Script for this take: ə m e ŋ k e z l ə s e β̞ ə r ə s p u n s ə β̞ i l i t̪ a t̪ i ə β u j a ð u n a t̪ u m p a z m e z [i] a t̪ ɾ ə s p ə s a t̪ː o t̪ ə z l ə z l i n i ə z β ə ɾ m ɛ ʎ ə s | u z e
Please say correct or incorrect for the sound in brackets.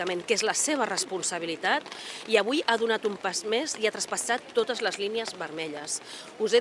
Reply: correct